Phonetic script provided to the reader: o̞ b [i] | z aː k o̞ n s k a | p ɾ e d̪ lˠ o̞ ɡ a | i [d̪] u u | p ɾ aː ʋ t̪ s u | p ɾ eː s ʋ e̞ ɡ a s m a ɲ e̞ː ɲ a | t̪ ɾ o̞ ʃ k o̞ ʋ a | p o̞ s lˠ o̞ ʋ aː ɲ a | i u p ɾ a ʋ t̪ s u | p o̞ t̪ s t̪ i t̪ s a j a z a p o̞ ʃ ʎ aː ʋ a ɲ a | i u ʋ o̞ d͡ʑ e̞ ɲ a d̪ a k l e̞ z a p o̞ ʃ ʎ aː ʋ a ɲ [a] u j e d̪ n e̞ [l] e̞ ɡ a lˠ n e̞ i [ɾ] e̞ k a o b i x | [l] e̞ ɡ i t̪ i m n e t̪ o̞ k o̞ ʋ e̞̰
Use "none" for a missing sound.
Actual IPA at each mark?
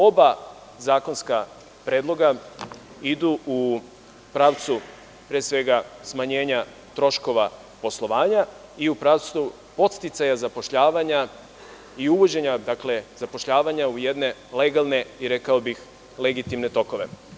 a, d̪, a, l, ɾ, l

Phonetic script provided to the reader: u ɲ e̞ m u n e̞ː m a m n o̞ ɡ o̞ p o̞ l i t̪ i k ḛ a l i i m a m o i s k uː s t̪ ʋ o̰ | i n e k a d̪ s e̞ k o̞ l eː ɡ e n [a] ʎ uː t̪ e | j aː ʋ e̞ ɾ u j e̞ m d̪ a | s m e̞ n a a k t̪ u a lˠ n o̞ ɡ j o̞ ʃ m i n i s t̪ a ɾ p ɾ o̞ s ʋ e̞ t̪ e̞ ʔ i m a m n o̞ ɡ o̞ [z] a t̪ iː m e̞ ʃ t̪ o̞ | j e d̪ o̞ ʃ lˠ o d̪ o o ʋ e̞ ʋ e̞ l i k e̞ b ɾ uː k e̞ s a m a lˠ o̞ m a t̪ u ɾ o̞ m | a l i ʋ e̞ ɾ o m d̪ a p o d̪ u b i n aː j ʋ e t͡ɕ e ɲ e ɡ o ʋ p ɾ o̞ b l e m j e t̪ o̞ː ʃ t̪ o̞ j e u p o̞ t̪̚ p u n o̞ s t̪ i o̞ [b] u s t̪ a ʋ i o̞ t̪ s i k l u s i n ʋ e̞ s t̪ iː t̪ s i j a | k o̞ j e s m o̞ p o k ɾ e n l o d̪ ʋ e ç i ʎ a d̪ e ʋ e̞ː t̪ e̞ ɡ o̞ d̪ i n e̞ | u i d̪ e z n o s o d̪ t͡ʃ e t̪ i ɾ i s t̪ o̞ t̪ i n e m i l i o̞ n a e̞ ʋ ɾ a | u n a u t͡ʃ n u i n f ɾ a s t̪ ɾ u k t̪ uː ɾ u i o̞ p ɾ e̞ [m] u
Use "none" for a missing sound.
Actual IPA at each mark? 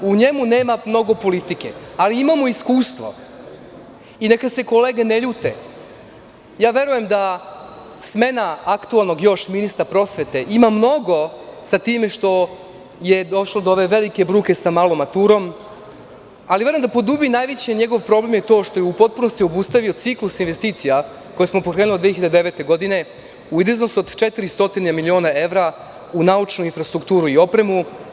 e, s, b, m

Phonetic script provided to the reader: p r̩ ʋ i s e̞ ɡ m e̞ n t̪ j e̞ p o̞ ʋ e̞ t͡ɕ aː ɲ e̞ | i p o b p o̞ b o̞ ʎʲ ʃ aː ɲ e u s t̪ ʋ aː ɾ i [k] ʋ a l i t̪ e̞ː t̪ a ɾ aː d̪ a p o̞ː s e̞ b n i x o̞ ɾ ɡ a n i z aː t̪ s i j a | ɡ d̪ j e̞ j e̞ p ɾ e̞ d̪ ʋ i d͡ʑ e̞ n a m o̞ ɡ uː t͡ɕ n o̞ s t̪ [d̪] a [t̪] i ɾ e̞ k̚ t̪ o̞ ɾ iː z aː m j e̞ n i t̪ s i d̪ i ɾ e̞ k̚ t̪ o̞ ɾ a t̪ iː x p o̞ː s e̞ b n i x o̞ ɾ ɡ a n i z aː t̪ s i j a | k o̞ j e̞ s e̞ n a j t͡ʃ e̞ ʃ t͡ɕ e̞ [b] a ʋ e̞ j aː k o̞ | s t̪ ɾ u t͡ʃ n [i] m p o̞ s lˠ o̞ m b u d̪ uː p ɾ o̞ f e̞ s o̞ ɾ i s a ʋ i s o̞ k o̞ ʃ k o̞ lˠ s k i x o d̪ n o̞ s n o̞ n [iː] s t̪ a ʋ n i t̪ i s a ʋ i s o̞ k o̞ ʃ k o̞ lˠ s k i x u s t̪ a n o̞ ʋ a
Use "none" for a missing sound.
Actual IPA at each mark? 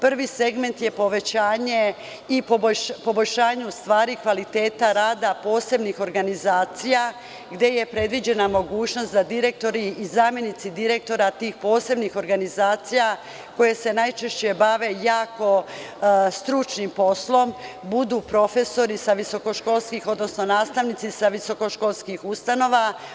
k, d̪, d̪, b, i, aː

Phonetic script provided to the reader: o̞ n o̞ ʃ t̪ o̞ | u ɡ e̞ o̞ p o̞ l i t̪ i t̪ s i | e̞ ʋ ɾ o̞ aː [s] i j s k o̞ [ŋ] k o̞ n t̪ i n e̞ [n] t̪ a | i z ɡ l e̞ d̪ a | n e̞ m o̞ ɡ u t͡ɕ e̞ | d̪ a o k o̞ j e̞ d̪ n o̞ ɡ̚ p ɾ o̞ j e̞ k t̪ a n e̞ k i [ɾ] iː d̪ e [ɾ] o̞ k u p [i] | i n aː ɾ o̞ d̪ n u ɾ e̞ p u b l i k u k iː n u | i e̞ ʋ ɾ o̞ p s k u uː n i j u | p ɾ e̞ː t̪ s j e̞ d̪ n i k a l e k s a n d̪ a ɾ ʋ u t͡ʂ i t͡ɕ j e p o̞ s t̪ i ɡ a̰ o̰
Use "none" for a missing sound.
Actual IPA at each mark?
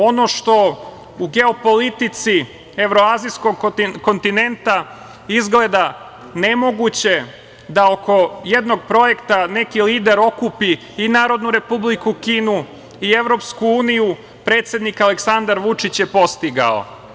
z, ɡ, n, l, ɾ, i

